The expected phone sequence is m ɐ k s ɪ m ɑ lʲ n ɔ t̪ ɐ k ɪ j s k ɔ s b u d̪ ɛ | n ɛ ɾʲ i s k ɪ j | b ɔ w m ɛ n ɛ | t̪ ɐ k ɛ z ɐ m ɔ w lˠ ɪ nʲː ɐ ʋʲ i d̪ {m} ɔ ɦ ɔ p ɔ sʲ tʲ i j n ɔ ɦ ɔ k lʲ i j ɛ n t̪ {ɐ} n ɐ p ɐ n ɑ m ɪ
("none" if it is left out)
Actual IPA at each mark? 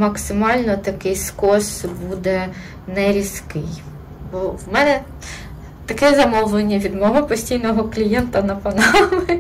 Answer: m, ɐ

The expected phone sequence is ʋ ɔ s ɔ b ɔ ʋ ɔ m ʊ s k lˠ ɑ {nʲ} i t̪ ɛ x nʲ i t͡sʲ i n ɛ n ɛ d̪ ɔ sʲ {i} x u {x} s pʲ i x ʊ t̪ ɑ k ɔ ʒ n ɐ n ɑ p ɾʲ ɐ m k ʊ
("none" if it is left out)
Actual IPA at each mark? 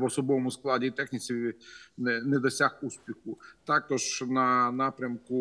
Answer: dʲ, a, none

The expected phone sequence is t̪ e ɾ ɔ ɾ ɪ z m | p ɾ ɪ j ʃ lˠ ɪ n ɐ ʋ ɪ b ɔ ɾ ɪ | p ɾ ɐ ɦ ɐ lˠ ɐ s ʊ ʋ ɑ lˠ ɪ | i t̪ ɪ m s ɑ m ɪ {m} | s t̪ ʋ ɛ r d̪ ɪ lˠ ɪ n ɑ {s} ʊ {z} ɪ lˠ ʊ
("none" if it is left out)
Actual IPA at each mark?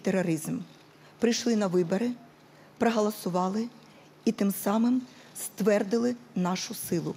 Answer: m, ʃ, s

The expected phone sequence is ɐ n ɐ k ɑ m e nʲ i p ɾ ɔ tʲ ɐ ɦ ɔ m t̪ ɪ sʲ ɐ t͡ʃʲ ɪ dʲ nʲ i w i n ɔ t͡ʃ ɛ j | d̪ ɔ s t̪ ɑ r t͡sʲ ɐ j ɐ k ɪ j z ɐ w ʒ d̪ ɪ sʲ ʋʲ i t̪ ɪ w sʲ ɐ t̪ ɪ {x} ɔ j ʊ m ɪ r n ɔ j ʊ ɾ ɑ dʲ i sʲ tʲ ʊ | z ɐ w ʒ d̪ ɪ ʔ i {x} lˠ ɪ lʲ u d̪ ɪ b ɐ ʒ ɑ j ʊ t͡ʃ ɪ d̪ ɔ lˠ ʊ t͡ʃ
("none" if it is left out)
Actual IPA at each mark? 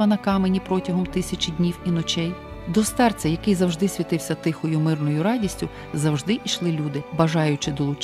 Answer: x, ʃ

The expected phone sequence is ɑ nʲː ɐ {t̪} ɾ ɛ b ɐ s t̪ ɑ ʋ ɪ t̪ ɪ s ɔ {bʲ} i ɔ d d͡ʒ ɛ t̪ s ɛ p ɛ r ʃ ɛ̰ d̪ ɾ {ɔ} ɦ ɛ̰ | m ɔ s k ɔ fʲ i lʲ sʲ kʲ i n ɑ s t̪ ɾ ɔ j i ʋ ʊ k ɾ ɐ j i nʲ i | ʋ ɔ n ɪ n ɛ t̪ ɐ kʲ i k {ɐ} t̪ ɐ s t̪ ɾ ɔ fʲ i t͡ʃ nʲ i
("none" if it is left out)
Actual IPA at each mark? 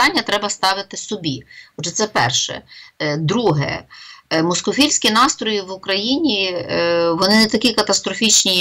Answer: t̪, bʲ, u, ɐ

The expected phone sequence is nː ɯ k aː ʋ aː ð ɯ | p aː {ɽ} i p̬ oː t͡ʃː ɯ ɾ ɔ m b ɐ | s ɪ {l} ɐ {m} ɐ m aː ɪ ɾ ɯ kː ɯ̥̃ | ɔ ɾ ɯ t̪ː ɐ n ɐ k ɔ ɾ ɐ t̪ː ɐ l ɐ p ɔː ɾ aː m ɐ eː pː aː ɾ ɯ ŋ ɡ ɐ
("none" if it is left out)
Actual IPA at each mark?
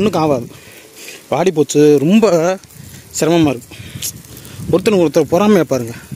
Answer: ɽ, ɾ, m

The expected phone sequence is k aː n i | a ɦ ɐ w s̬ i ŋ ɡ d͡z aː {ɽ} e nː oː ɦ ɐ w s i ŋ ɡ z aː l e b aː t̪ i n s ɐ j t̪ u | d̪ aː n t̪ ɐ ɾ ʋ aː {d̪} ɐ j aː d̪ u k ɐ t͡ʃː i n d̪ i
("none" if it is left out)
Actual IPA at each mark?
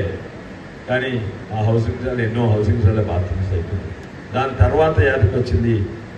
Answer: l, t̪

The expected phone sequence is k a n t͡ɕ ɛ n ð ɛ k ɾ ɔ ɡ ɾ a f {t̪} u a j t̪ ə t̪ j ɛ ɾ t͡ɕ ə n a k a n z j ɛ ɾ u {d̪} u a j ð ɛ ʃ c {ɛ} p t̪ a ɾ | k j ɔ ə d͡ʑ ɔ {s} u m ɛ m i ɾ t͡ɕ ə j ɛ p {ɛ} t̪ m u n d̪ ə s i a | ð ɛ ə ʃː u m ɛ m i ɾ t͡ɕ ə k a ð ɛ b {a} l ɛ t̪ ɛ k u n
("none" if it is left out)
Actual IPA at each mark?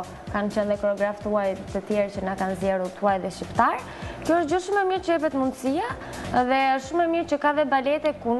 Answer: t̪, t̪, i, ʃ, ɛ, a

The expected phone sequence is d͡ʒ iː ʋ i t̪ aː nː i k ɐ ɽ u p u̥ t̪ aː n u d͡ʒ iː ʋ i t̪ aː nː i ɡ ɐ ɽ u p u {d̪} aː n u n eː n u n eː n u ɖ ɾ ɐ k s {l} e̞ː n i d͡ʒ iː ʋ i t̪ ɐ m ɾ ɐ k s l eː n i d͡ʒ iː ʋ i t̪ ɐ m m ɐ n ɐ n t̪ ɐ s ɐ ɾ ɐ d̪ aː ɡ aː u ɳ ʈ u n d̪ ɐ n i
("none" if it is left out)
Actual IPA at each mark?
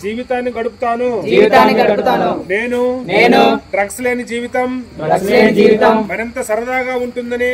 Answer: t̪, l

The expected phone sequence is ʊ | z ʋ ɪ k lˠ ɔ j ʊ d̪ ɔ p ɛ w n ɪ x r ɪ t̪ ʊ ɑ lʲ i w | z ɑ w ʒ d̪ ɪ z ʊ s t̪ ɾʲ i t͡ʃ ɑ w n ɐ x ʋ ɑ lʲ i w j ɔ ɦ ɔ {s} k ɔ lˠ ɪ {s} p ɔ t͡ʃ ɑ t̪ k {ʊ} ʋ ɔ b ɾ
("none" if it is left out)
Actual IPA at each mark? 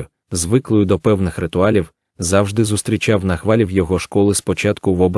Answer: ʃ, s, ʊ

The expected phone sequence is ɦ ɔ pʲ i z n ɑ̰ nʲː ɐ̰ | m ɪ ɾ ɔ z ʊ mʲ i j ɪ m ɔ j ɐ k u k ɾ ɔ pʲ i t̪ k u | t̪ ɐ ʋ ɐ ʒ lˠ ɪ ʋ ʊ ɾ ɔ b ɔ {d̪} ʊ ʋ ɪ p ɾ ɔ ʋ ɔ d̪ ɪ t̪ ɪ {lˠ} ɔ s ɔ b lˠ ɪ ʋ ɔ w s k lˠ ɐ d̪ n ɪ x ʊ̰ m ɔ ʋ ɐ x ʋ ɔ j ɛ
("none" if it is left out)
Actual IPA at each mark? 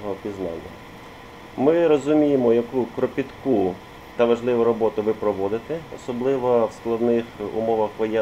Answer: t̪, none

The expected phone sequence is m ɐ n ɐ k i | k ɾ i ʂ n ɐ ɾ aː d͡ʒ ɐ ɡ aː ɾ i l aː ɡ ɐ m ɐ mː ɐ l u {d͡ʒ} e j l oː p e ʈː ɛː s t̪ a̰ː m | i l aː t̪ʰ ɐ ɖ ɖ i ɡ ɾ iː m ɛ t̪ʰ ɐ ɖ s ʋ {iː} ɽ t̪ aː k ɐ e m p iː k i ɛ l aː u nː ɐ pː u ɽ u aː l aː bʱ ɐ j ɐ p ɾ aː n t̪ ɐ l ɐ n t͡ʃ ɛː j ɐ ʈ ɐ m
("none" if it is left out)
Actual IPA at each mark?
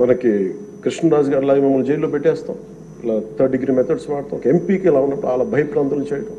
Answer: d͡ʒ, aː

